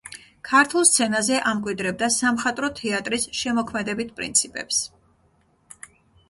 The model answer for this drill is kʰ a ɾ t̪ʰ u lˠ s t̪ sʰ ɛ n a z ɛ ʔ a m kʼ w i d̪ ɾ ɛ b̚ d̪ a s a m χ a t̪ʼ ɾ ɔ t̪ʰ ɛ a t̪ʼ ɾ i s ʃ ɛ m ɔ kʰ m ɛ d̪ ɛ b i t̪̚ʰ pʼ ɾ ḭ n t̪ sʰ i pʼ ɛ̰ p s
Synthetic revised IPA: kʰ a ɾ t̪ʰ u lˠ s t̪ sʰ ɛ n a z ɛ ʔ a m kʼ w i d̪ ɾ ɛ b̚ d̪ a s a m χ a t̪ʼ ɾ ɔ t̪ʰ ɛ a t̪ʼ ɾ i s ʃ ɛ m ɔ kʰ m ɛ d̪ ɛ b i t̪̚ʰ pʼ ɾ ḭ n t̪ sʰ i pʼ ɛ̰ p s